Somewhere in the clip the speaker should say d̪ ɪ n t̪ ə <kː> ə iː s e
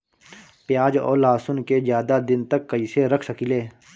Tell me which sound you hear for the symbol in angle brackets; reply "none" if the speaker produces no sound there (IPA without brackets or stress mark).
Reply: kː